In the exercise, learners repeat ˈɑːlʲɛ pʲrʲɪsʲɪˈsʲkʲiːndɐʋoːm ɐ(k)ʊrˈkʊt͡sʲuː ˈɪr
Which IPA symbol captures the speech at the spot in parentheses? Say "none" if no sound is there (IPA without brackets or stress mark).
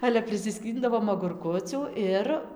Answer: ɡ